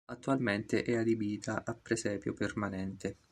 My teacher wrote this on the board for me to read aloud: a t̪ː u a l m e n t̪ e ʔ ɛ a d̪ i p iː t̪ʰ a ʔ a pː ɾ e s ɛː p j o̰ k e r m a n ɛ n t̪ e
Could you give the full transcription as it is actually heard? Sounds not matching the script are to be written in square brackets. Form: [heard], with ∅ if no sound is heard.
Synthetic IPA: a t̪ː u a l m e n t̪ e ʔ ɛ a d̪ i [b] iː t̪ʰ a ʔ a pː ɾ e s ɛː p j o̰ [p] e r m a n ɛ n t̪ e

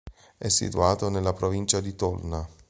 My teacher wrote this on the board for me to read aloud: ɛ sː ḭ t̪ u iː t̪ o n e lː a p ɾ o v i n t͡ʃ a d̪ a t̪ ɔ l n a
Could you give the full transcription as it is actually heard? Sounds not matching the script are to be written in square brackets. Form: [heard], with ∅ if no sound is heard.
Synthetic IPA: ɛ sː ḭ t̪ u [aː] t̪ o n e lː a p ɾ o v i n t͡ʃ a d̪ [i] t̪ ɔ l n a

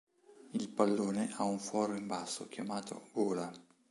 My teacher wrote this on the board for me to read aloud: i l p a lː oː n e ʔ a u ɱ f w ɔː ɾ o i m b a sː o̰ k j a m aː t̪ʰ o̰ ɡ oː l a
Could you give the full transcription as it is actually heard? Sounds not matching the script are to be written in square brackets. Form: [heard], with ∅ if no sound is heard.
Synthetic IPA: i l p a lː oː n e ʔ a u ɱ f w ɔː ɾ o i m b a sː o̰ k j a m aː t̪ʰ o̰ ɡ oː l a

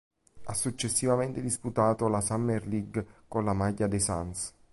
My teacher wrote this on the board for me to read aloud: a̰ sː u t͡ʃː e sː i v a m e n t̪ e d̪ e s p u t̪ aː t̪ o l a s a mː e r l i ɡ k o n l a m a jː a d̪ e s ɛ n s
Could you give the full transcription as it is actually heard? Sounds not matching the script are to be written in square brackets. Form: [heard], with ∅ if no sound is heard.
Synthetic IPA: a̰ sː u t͡ʃː e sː i v a m e n t̪ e d̪ [i] s p u t̪ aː t̪ o l a s a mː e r l i ɡ k o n l a m a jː a d̪ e s [a] n s

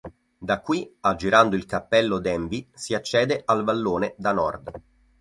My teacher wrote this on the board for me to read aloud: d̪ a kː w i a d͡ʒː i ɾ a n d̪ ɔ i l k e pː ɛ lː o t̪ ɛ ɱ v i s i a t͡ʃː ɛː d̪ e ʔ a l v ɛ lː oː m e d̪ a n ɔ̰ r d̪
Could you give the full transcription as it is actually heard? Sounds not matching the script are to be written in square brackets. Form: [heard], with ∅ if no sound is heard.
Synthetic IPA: d̪ a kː w i a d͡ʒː i ɾ a n d̪ [o] i l k [a] pː ɛ lː o [d̪] ɛ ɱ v i s i a t͡ʃː ɛː d̪ e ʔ a l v [a] lː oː [n] e d̪ a n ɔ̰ r d̪

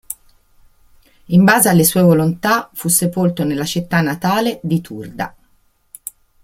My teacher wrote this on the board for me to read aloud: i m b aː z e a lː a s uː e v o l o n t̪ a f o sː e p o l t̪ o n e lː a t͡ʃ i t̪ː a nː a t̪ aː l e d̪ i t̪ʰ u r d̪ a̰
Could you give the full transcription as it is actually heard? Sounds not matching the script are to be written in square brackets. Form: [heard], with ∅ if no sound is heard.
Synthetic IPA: i m b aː z e a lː [e] s uː e v o l o n t̪ a f [u] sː e p o l t̪ o n e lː a t͡ʃ i t̪ː a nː a t̪ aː l e d̪ i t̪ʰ u r d̪ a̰

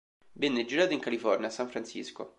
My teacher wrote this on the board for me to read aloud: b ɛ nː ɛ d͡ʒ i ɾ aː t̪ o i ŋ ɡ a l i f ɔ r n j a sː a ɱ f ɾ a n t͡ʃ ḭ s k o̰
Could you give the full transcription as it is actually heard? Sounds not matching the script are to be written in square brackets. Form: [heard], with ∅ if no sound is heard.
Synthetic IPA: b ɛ nː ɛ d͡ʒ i ɾ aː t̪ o i ŋ [k] a l i f ɔ r n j a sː a ɱ f ɾ a n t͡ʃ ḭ s k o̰

